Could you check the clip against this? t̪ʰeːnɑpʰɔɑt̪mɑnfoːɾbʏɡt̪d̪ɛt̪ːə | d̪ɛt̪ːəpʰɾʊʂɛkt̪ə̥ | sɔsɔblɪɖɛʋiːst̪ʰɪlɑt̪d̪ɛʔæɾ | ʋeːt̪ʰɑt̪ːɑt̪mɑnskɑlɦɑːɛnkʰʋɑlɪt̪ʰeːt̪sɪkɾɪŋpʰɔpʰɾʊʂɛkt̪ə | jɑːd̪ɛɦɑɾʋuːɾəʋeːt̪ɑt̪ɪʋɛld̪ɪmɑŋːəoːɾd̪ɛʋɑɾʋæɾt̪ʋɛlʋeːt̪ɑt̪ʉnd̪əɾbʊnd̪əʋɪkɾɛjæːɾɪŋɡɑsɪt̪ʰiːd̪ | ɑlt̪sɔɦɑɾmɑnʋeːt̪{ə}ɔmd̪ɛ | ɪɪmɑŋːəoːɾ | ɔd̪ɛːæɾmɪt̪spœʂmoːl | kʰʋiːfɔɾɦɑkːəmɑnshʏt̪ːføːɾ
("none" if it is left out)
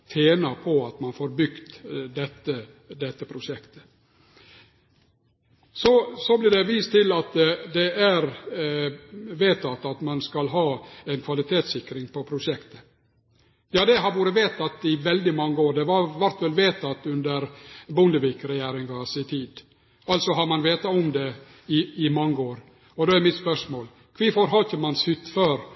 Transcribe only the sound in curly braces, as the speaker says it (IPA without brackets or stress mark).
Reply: ɑ